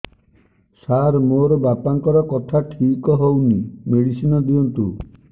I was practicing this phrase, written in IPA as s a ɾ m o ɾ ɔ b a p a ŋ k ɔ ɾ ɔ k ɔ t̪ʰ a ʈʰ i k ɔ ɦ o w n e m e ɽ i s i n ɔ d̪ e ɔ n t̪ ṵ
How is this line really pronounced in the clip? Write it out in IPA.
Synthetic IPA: s a ɾ m o ɾ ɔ b a p a ŋ k ɔ ɾ ɔ k ɔ t̪ʰ a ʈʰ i k ɔ ɦ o w n i m e ɽ i s i n ɔ d̪ i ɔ n t̪ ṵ